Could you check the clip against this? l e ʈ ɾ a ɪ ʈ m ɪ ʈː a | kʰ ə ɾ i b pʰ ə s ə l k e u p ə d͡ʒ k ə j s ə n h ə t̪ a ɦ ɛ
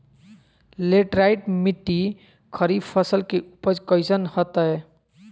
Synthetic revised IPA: l e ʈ ɾ a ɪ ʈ m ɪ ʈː i | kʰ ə ɾ i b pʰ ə s ə l k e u p ə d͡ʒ k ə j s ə n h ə t̪ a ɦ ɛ